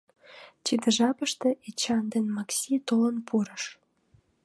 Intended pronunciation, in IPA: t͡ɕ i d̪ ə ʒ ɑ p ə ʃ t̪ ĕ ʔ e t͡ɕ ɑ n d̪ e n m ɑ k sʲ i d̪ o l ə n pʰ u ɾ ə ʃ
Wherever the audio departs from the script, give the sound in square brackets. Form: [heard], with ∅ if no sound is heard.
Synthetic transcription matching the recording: t͡ɕ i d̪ ə ʒ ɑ p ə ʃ t̪ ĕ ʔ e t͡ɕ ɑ n d̪ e n m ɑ k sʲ i [t̪] o l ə n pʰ u ɾ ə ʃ